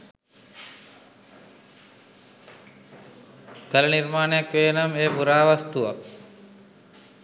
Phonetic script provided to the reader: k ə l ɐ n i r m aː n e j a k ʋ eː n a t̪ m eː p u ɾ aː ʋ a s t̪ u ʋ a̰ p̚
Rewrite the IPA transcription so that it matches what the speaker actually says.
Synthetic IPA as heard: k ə l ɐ n i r m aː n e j a k ʋ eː n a m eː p u ɾ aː ʋ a s t̪ u ʋ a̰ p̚